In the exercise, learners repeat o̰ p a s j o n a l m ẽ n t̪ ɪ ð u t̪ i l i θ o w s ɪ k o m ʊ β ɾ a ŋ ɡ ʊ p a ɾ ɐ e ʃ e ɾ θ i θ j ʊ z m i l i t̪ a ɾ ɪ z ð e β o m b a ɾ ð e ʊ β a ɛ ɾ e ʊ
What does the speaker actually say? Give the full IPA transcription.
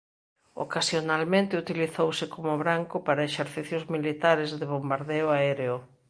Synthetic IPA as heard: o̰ k a s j o n a l m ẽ n t̪ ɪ u t̪ i l i θ o w s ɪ k o m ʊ β ɾ a ŋ k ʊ p a ɾ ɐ e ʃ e ɾ θ i θ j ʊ z m i l i t̪ a ɾ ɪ z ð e β o m b a ɾ ð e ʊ a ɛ ɾ e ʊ